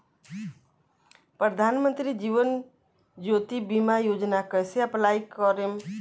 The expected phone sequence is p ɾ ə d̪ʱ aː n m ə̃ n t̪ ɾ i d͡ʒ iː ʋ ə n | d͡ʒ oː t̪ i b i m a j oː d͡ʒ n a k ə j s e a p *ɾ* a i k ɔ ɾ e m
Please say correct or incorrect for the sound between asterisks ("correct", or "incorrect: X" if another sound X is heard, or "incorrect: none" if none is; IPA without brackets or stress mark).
incorrect: l